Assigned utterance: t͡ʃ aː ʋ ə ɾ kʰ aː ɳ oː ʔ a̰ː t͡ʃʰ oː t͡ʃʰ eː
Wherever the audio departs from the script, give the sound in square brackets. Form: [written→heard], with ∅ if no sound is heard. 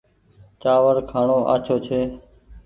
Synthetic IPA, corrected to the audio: t͡ʃ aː ʋ ə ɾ kʰ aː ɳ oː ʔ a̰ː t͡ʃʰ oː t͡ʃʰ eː